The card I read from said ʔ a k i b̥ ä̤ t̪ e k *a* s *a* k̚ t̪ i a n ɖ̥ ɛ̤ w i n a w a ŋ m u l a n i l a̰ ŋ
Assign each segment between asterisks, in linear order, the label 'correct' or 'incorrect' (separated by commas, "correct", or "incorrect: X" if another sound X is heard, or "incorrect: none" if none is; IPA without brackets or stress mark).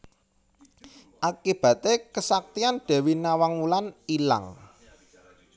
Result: incorrect: ə, correct